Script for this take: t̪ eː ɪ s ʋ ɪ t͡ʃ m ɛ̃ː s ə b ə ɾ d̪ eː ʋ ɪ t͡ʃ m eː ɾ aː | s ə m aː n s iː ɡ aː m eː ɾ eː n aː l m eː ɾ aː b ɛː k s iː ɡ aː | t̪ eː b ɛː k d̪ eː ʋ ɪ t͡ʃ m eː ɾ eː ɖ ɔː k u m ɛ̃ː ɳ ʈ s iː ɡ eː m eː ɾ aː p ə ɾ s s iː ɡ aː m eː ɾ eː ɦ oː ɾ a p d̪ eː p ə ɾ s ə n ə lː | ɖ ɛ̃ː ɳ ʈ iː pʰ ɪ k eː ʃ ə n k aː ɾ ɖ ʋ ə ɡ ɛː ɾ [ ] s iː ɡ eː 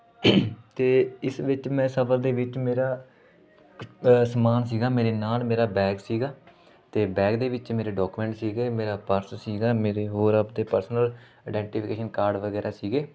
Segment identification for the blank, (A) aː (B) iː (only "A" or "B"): A